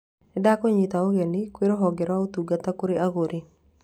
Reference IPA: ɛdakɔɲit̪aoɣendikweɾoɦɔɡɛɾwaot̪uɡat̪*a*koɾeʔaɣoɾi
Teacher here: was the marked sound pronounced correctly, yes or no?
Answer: yes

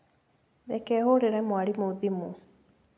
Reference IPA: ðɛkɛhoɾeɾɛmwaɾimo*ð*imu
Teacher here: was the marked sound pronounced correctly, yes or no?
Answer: yes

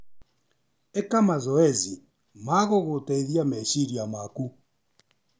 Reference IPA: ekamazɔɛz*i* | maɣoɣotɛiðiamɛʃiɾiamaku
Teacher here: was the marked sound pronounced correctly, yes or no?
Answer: yes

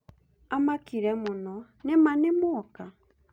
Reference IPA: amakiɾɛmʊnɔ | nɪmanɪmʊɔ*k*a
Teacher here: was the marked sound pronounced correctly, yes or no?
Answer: yes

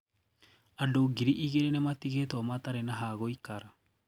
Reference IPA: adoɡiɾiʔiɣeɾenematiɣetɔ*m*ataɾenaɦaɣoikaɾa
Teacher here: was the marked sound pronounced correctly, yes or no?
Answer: yes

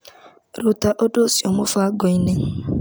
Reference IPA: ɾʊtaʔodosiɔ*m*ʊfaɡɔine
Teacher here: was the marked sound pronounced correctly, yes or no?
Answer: yes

